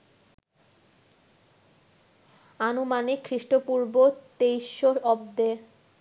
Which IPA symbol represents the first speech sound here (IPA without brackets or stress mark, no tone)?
a